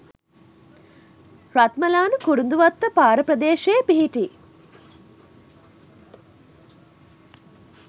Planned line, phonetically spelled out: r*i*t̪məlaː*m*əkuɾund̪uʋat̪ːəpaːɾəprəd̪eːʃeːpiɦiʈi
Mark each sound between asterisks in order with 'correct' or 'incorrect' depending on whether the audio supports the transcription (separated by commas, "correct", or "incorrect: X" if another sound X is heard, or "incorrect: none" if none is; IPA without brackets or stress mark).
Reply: incorrect: a, incorrect: n